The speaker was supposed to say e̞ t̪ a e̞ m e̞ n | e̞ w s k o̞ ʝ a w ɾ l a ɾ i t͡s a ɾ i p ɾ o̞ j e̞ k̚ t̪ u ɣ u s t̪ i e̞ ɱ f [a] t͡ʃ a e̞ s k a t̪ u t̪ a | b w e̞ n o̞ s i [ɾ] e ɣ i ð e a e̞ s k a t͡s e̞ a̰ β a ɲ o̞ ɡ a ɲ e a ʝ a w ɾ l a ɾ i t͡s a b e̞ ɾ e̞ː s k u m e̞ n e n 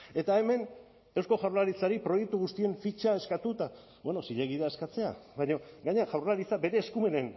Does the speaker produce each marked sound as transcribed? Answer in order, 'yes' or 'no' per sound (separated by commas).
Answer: no, no